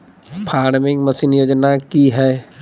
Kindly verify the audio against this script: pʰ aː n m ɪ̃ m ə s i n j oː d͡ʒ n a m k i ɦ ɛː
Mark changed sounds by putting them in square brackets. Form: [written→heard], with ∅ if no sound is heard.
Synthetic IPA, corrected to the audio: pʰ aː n m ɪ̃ m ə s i n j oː d͡ʒ n a [m→∅] k i ɦ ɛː